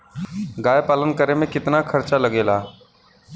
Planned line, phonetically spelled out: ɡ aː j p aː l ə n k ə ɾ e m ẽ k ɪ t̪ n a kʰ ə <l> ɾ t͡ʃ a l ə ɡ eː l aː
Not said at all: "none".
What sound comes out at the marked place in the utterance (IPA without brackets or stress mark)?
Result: none